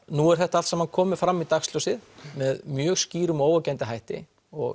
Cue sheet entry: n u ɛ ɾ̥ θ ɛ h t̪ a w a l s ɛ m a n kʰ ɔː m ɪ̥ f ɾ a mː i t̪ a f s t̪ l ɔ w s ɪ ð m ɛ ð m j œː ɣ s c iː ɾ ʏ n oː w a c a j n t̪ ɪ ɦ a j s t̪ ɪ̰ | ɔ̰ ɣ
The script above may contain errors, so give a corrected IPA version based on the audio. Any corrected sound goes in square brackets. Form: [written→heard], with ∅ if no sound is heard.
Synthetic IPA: n u ɛ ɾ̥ θ ɛ h t̪ a [w→∅] a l s ɛ m a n kʰ ɔː m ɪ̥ f ɾ a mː i t̪ a [f→x] s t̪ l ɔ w s ɪ ð m ɛ ð m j œː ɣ s c iː ɾ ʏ [n→m] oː w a c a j n t̪ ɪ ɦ a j [s→h] t̪ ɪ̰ | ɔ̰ ɣ

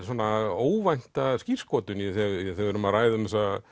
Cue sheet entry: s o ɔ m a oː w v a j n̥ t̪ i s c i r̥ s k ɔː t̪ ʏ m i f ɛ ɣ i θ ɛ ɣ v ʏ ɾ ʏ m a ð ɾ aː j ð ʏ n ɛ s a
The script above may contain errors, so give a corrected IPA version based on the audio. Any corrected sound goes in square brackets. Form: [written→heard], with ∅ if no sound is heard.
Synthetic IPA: s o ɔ [m→n] a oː w v a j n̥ t̪ [i→a] s c i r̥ s k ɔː t̪ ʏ [m→n] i [f→θ] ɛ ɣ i θ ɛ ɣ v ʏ ɾ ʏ m a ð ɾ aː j ð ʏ [n→m] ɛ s a

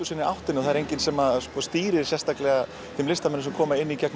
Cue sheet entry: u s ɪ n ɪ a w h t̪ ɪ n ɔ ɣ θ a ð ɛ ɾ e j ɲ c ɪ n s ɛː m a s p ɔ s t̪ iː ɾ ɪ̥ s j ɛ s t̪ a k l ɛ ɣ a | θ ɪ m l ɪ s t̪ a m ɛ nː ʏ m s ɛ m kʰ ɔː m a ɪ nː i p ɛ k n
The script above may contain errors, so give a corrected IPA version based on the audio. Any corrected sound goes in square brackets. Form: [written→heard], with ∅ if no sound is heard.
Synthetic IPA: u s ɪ n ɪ a w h t̪ ɪ n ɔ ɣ θ a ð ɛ ɾ e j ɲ c ɪ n s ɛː m a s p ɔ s t̪ iː ɾ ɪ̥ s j ɛ s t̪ a k l ɛ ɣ a | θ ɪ m l ɪ s t̪ a m ɛ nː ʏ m s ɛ m kʰ ɔː m a ɪ nː i [p→c] ɛ k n

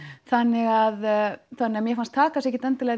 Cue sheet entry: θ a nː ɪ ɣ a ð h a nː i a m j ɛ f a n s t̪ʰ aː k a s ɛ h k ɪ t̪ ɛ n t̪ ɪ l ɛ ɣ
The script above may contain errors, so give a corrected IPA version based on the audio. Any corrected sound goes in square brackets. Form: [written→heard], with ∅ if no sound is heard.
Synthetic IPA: θ a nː ɪ ɣ a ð [h→θ] a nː [i→ɪ] a m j ɛ f a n s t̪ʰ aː k a s ɛ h [k→c] ɪ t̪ ɛ n t̪ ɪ l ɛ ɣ

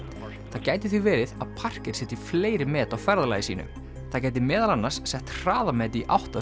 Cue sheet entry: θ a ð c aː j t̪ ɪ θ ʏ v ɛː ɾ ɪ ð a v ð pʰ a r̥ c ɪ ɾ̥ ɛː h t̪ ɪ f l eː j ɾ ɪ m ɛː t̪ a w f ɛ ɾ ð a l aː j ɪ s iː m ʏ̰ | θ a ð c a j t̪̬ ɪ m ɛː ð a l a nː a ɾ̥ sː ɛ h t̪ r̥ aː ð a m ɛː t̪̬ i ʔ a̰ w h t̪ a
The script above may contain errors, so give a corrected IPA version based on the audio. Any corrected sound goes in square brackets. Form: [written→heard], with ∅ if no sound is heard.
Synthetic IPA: θ a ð c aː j t̪ ɪ θ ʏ v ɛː ɾ ɪ ð a [v→∅] ð pʰ a r̥ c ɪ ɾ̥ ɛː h t̪ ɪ f l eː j ɾ ɪ m ɛː t̪ a w f ɛ ɾ ð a l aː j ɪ s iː [m→n] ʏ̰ | θ a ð c a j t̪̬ ɪ m ɛː ð a l a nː a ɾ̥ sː ɛ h t̪ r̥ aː ð a m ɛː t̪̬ i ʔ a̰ w h t̪ a

